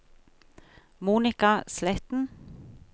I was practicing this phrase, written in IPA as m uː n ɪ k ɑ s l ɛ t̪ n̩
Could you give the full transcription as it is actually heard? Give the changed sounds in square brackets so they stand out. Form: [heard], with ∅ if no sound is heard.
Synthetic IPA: m uː n ɪ k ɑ s l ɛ t̪ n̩